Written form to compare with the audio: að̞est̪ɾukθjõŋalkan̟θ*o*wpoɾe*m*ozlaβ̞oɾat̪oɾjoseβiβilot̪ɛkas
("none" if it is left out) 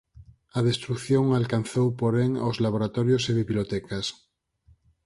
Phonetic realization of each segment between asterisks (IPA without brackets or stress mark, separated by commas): o, ŋ